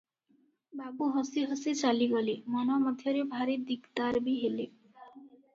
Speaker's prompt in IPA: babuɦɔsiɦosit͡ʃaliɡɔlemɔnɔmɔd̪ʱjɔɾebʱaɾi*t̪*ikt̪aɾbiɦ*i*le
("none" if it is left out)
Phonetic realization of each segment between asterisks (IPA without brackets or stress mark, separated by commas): d̪, e